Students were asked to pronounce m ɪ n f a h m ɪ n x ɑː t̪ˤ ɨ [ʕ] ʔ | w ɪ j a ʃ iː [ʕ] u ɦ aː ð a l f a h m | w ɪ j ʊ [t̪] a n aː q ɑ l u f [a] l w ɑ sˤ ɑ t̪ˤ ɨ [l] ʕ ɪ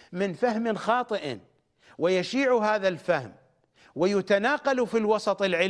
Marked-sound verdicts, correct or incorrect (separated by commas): incorrect, correct, correct, incorrect, correct